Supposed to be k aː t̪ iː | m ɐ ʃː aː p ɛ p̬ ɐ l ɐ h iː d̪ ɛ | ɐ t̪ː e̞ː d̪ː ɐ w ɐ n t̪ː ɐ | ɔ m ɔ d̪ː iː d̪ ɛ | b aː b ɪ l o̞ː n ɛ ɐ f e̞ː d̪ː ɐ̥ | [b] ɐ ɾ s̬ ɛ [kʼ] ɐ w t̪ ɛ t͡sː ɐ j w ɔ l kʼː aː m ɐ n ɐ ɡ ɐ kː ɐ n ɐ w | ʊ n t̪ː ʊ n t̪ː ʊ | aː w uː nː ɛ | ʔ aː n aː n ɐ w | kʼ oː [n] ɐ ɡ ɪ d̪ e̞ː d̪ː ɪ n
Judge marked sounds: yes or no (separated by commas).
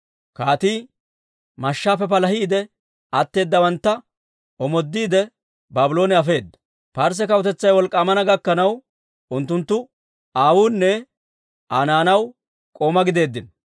no, no, no